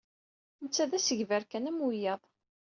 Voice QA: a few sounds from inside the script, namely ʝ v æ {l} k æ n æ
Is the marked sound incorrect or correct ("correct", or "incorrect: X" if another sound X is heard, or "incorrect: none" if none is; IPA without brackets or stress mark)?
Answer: incorrect: ɾ